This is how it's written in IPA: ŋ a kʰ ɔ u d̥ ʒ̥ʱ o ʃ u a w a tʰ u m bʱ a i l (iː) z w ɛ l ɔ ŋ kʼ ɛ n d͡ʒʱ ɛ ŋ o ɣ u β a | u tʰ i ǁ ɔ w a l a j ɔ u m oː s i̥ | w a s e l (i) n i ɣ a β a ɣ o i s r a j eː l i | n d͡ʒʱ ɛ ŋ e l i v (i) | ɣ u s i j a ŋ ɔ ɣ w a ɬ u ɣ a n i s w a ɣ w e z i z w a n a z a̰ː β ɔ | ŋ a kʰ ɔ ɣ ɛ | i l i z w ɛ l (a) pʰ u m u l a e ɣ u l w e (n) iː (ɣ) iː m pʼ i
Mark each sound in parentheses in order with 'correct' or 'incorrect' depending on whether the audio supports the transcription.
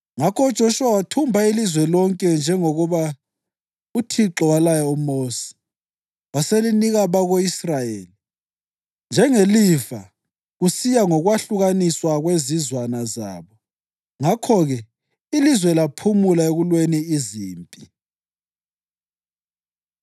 incorrect: i, correct, incorrect: a, correct, correct, incorrect: z

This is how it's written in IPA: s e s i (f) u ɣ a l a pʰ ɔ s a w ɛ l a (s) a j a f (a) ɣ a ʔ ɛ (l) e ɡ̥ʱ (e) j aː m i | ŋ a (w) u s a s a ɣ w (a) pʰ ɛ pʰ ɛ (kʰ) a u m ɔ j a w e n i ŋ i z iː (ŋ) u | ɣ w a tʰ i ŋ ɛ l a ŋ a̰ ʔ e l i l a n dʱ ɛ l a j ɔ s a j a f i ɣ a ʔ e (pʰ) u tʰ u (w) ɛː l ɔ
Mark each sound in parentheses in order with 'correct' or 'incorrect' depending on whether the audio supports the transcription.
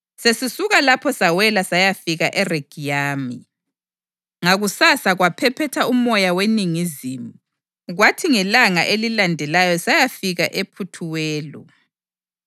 incorrect: s, correct, incorrect: i, incorrect: r, incorrect: i, incorrect: ɣ, correct, incorrect: tʰ, incorrect: m, correct, correct

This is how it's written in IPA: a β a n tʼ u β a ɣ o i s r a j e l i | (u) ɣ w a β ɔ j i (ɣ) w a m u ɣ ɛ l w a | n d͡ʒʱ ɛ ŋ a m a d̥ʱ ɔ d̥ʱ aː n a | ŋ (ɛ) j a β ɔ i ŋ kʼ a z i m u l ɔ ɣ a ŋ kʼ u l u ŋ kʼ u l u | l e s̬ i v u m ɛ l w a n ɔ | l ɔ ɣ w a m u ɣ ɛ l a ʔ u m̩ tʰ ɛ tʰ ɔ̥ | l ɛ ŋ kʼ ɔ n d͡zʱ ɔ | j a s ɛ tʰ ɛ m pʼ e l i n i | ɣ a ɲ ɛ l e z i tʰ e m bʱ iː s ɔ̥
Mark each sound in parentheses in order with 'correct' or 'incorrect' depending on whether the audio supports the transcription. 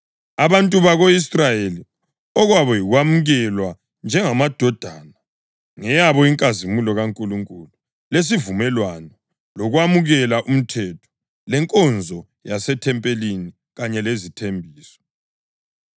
incorrect: ɔ, correct, correct

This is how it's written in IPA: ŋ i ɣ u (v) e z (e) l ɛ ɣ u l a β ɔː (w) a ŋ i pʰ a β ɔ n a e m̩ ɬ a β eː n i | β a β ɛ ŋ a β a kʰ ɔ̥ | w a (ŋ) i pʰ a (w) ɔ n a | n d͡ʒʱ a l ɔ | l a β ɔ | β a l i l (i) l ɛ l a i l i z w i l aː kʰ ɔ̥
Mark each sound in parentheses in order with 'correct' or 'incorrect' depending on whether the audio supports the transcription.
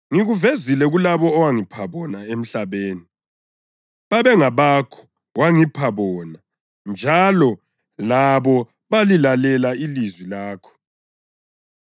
correct, incorrect: i, correct, correct, incorrect: β, incorrect: a

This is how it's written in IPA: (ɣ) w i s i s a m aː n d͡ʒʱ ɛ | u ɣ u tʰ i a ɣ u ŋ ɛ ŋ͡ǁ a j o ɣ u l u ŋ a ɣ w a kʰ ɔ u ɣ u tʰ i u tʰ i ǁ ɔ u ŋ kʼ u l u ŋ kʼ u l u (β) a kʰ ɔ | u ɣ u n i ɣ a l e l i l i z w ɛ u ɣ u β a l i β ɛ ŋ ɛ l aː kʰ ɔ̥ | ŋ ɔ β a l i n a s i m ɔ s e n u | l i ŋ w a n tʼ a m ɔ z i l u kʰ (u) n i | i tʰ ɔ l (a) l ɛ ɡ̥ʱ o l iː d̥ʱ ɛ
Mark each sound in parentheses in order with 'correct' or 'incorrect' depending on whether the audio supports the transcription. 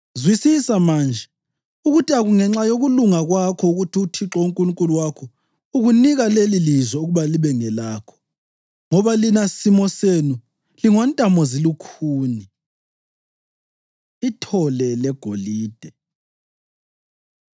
incorrect: z, incorrect: w, incorrect: uː, incorrect: ɛ

